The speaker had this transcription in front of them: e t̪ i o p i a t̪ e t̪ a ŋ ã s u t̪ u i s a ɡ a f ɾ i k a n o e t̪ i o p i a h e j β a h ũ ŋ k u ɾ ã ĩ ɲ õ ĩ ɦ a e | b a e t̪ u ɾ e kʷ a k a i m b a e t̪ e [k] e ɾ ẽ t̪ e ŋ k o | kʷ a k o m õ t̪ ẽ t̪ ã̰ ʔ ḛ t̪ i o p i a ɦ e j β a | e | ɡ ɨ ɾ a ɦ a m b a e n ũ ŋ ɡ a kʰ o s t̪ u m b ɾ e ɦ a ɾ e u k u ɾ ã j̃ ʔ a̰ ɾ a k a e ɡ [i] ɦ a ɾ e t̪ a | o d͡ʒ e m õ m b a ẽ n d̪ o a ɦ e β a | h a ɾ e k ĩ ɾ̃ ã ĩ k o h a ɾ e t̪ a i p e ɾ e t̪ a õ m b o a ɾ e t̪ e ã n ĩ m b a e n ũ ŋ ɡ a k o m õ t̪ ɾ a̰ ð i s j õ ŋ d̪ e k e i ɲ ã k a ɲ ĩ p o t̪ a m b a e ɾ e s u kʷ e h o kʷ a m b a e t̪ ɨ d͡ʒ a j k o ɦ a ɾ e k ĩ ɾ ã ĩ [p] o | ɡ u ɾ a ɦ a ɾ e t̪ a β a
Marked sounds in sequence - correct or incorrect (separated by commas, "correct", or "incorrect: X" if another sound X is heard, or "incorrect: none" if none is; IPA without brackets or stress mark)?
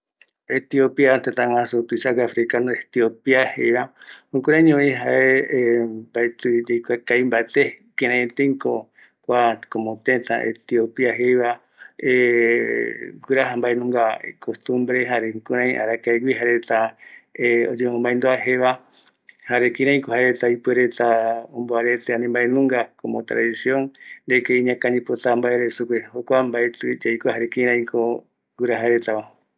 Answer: correct, correct, incorrect: k